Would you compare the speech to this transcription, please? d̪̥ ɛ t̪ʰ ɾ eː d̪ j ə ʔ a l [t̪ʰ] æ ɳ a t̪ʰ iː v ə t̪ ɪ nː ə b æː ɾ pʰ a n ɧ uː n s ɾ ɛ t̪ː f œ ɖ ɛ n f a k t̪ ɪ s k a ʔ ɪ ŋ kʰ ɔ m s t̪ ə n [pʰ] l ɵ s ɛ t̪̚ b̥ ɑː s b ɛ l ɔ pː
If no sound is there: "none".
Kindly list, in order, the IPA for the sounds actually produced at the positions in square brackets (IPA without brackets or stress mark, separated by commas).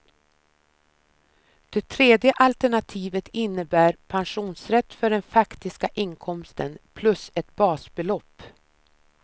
t̪, pʰ